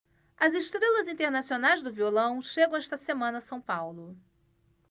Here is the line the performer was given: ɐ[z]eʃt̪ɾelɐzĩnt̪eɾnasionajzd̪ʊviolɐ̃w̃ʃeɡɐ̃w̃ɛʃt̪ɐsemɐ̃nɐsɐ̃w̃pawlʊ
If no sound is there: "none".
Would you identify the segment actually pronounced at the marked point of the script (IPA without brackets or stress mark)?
z